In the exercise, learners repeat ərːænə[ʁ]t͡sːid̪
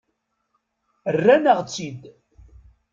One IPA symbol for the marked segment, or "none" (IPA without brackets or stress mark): ʁ